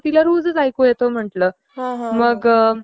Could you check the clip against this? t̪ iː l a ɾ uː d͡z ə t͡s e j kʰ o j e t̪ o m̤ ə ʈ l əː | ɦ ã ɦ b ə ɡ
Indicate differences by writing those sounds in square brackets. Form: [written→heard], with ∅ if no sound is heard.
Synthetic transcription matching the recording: t̪ [iː→i] l a ɾ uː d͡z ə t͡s [e→a] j [kʰ→k] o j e t̪ o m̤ ə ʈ l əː | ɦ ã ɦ [b→m] ə ɡ